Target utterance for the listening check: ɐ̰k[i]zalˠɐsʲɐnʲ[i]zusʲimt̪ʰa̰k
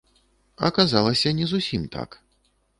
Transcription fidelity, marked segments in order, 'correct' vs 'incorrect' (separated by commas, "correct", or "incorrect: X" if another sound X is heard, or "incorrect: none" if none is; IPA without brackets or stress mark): incorrect: a, incorrect: ɛ